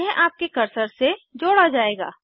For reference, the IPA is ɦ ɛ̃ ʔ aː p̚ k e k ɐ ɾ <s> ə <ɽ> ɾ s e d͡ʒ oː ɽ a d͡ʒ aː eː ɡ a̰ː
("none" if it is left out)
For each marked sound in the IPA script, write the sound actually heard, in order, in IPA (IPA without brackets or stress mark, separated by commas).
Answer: s, none